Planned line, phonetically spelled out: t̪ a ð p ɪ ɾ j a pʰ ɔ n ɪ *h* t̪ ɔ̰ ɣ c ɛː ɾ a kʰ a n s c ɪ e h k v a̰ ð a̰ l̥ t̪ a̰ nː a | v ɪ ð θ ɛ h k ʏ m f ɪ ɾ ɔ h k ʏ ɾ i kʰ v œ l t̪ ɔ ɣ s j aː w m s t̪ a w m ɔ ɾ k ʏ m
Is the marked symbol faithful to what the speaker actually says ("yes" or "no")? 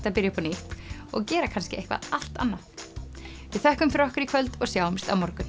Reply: yes